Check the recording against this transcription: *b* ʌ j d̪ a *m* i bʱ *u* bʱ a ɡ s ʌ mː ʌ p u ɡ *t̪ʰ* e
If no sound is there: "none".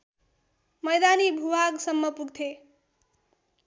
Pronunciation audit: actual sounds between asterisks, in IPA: m, n, u, t̪ʰ

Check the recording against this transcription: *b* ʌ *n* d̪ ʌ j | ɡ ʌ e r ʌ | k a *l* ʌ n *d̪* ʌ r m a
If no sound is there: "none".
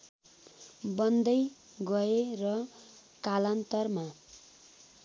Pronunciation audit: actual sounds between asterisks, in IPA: b, n, l, t̪

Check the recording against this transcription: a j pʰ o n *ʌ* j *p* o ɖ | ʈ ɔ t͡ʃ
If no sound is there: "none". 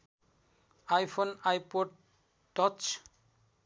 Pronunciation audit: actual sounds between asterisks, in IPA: a, p

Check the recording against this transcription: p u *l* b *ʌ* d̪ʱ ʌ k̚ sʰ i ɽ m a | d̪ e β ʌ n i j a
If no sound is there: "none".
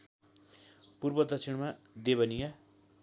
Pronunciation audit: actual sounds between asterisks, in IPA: r, ʌ

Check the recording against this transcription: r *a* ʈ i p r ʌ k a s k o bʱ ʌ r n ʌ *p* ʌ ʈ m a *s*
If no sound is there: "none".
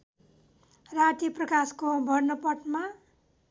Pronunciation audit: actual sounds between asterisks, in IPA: a, p, none

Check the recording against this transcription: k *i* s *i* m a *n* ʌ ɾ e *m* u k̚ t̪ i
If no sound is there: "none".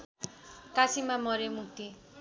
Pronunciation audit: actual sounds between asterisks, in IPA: a, i, m, m

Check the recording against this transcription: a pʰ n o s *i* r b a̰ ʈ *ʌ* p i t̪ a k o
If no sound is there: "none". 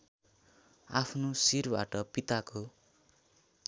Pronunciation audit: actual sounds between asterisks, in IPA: i, ʌ

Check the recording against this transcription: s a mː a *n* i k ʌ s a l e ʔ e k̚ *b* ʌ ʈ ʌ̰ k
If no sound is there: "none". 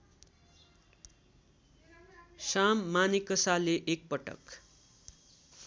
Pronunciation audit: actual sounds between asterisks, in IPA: n, p

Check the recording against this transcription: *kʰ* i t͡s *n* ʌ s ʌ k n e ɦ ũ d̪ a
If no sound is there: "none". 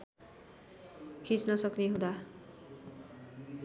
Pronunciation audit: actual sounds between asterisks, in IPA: kʰ, n

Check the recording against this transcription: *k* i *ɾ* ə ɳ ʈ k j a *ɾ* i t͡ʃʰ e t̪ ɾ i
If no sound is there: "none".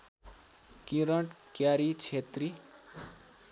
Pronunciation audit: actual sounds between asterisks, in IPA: k, ɾ, ɾ

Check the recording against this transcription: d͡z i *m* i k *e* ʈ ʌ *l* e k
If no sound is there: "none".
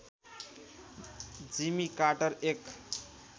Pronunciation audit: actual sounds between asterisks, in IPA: m, a, ɾ

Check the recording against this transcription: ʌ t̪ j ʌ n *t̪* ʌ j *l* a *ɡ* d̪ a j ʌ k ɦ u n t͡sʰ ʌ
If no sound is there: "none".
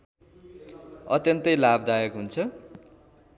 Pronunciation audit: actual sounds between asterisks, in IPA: t̪, l, b

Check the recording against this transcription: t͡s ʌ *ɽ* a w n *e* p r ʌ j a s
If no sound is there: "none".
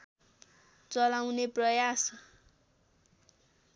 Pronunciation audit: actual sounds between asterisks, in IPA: l, e

